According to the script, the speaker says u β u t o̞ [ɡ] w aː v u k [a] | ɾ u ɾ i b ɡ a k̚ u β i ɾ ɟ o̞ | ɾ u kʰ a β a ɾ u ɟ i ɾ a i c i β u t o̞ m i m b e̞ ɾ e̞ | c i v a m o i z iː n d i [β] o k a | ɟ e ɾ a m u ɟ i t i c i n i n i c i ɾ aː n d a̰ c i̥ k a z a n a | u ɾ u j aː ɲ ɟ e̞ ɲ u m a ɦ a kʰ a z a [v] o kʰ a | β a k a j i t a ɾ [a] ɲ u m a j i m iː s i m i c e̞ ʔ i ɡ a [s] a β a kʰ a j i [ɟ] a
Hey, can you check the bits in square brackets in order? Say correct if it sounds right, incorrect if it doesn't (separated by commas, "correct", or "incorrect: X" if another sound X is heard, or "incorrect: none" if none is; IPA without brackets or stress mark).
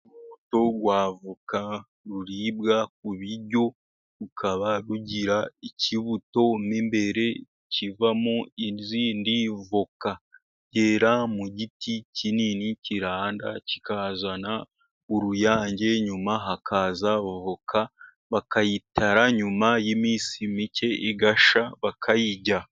correct, correct, incorrect: v, correct, correct, incorrect: ʃ, correct